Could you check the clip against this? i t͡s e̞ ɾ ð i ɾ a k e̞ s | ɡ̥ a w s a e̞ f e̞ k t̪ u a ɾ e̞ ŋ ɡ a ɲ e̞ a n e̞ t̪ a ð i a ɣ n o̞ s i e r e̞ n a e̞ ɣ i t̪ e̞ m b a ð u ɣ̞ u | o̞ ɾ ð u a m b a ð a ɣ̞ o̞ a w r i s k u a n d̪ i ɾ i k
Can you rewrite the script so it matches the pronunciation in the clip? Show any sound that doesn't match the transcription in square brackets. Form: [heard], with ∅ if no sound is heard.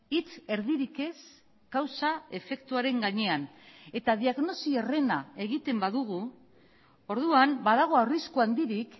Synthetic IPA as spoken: i t͡s e̞ ɾ ð i ɾ [i] k e̞ s | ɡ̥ a w s a e̞ f e̞ k t̪ u a ɾ e̞ ŋ ɡ a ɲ e̞ a n e̞ t̪ a ð i a ɣ n o̞ s i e r e̞ n a e̞ ɣ i t̪ e̞ m b a ð u ɣ̞ u | o̞ ɾ ð u a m b a ð a ɣ̞ o̞ a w r i s k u a n d̪ i ɾ i k

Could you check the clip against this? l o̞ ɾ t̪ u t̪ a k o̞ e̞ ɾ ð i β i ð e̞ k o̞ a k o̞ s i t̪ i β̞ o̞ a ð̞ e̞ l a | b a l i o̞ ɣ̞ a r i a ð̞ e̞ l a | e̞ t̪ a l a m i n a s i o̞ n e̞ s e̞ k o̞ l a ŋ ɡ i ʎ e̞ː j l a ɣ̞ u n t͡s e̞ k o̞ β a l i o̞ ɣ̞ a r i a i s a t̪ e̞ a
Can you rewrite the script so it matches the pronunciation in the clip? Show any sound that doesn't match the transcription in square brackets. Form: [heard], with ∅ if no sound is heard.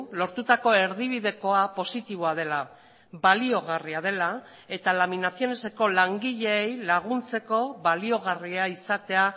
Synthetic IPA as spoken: l o̞ ɾ t̪ u t̪ a k o̞ e̞ ɾ ð i β i ð e̞ k o̞ a [p] o̞ s i t̪ i β̞ o̞ a ð̞ e̞ l a | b a l i o̞ ɣ̞ a r i a ð̞ e̞ l a | e̞ t̪ a l a m i n a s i o̞ n e̞ s e̞ k o̞ l a ŋ ɡ i ʎ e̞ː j l a ɣ̞ u n t͡s e̞ k o̞ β a l i o̞ ɣ̞ a r i a i s a t̪ e̞ a

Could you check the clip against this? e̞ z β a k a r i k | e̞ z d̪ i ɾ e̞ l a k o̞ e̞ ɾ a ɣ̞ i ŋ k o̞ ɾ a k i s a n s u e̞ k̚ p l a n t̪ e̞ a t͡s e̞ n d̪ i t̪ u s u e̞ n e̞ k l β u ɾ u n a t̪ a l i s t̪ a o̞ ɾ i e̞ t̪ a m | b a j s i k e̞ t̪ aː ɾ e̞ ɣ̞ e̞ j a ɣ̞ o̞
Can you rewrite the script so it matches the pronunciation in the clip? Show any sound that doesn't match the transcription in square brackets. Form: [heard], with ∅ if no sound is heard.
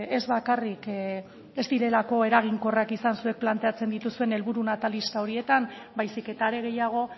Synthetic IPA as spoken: e̞ z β a k a r i k | e̞ z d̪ i ɾ e̞ l a k o̞ e̞ ɾ a ɣ̞ i ŋ k o̞ [r] a k i s a n s u e̞ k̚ p l a n t̪ e̞ a t͡s e̞ n d̪ i t̪ u s u e̞ n e̞ [∅] l β u ɾ u n a t̪ a l i s t̪ a o̞ ɾ i e̞ t̪ a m | b a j s i k e̞ t̪ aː ɾ e̞ ɣ̞ e̞ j a ɣ̞ o̞

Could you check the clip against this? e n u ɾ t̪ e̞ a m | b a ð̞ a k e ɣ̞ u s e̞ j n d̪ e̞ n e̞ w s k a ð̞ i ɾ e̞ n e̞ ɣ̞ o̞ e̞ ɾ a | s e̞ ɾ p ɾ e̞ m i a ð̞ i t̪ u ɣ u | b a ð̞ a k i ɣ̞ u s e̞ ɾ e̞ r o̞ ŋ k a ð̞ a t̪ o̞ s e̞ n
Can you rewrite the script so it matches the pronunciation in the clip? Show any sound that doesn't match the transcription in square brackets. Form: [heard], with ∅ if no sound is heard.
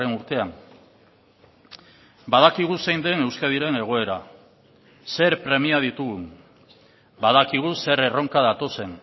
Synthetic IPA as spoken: e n u ɾ t̪ e̞ a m | b a ð̞ a k [i] ɣ̞ u s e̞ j n d̪ e̞ n e̞ w s k a ð̞ i ɾ e̞ n e̞ ɣ̞ o̞ e̞ ɾ a | s e̞ ɾ p ɾ e̞ m i a ð̞ i t̪ u ɣ u | b a ð̞ a k i ɣ̞ u s e̞ ɾ e̞ r o̞ ŋ k a ð̞ a t̪ o̞ s e̞ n

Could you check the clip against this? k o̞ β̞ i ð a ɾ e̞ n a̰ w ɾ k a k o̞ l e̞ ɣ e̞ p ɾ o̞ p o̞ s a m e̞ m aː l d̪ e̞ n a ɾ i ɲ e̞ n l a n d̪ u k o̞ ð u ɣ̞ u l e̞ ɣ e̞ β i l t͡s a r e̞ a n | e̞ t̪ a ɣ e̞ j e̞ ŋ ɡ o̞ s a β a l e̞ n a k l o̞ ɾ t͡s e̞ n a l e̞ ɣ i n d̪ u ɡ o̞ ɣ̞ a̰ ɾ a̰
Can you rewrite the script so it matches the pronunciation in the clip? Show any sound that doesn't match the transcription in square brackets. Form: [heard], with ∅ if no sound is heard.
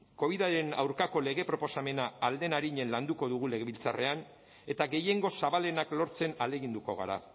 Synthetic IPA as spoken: k o̞ β̞ i ð a ɾ e̞ n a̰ w ɾ k a k o̞ l e̞ ɣ e̞ p ɾ o̞ p o̞ s a m e̞ [n] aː l d̪ e̞ n a ɾ i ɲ e̞ n l a n d̪ u k o̞ ð u ɣ̞ u l e̞ ɣ e̞ β i l t͡s a r e̞ a n | e̞ t̪ a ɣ e̞ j e̞ ŋ ɡ o̞ s a β a l e̞ n a k l o̞ ɾ t͡s e̞ n a l e̞ ɣ i n d̪ u [k] o̞ ɣ̞ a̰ ɾ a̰

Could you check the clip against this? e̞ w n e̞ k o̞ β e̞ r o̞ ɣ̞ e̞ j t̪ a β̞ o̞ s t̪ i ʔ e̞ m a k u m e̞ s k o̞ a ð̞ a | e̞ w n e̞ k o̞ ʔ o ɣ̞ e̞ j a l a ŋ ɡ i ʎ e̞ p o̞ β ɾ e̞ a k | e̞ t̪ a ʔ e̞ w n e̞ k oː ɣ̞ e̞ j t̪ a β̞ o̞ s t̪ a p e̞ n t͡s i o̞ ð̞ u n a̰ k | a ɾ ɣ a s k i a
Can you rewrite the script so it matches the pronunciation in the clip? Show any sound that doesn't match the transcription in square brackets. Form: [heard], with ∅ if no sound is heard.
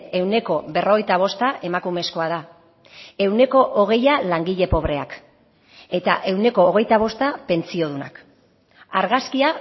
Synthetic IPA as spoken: e̞ w n e̞ k o̞ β e̞ r o̞ ɣ̞ e̞ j t̪ a β̞ o̞ s t̪ [a] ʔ e̞ m a k u m e̞ s k o̞ a ð̞ a | e̞ w n e̞ k o̞ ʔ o ɣ̞ e̞ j a l a ŋ ɡ i ʎ e̞ p o̞ β ɾ e̞ a k | e̞ t̪ a ʔ e̞ w n e̞ k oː ɣ̞ e̞ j t̪ a β̞ o̞ s t̪ a p e̞ n t͡s i o̞ ð̞ u n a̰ k | a ɾ ɣ a s k i a

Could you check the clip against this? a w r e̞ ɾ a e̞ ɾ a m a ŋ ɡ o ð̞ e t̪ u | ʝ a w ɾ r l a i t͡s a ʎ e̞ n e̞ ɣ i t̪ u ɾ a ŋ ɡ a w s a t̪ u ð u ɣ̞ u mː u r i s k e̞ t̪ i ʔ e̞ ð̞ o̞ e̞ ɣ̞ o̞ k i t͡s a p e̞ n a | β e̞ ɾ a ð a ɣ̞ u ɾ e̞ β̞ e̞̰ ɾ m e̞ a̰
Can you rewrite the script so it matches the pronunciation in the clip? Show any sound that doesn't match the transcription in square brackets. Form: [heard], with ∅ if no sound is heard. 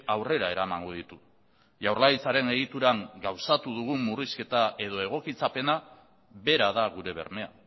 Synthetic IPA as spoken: a w r e̞ ɾ a e̞ ɾ a m a ŋ ɡ o ð̞ [i] t̪ u | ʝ a w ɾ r l a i t͡s a [ɾ] e̞ n e̞ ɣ i t̪ u ɾ a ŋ ɡ a w s a t̪ u ð u ɣ̞ u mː u r i s k e̞ t̪ [a] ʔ e̞ ð̞ o̞ e̞ ɣ̞ o̞ k i t͡s a p e̞ n a | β e̞ ɾ a ð a ɣ̞ u ɾ e̞ β̞ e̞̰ ɾ m e̞ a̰

